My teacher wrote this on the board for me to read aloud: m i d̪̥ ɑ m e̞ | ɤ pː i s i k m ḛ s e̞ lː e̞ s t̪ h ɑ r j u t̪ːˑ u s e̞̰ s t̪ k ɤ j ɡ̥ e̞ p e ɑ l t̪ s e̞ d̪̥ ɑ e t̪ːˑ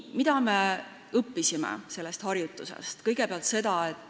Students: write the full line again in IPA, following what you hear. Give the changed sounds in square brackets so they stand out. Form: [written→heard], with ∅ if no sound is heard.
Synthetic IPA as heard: m i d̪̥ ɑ m e̞ | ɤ pː i s i [k→∅] m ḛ s e̞ lː e̞ s t̪ h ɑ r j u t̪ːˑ u s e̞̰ s t̪ k ɤ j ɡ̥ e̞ p e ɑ l t̪ s e̞ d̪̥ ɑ e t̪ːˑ